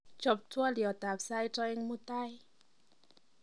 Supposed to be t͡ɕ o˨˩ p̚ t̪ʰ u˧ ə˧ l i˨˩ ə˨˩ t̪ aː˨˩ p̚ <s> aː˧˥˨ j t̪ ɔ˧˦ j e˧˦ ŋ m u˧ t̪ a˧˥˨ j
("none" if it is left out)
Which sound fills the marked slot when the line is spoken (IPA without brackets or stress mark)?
s